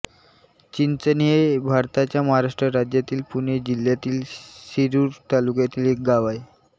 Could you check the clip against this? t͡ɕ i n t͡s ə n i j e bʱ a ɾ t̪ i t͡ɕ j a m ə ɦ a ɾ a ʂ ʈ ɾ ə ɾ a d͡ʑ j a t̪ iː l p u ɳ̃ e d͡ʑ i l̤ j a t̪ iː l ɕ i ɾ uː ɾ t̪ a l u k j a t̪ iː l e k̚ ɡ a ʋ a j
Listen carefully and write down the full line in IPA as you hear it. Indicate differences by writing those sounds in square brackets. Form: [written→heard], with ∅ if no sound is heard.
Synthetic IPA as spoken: t͡ɕ i n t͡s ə n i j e bʱ a ɾ t̪ [i→a] t͡ɕ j a m ə ɦ a ɾ a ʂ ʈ ɾ ə ɾ a d͡ʑ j a t̪ iː l p u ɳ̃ e d͡ʑ i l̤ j a t̪ iː l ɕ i ɾ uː ɾ t̪ a l u k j a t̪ iː l e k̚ ɡ a ʋ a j